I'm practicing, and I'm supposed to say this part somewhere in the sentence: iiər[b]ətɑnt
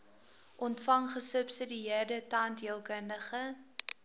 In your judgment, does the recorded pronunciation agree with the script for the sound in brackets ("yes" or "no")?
no